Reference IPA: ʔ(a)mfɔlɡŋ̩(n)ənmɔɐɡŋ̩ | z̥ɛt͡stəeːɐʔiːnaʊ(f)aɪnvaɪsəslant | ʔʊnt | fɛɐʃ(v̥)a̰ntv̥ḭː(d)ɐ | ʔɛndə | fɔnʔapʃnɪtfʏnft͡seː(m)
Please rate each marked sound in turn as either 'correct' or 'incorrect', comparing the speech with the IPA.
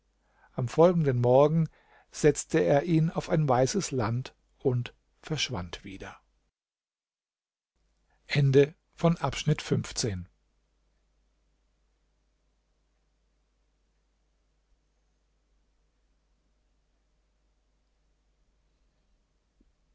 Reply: correct, incorrect: d, correct, correct, correct, incorrect: n

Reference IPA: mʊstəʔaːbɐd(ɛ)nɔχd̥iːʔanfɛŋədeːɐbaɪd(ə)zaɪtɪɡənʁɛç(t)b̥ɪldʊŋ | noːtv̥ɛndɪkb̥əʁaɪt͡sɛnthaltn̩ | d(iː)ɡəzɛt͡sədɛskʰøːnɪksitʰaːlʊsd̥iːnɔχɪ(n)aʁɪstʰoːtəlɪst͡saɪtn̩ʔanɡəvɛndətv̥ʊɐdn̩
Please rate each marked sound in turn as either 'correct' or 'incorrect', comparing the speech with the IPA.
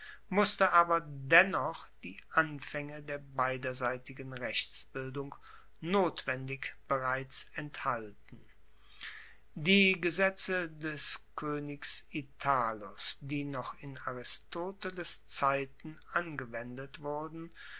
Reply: correct, incorrect: ɐ, incorrect: t͡s, correct, correct

